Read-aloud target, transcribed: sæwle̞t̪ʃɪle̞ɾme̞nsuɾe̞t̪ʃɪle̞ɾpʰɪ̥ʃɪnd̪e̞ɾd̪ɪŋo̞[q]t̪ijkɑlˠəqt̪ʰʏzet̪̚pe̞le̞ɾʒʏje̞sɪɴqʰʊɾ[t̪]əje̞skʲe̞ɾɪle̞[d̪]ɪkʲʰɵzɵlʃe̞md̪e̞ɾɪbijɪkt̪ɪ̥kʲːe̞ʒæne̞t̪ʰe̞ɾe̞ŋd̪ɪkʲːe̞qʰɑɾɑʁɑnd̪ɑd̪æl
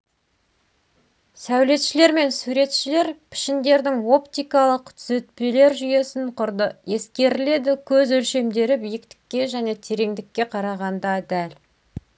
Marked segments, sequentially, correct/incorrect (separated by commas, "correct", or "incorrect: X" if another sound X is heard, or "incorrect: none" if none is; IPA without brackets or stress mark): incorrect: p, incorrect: d̪, correct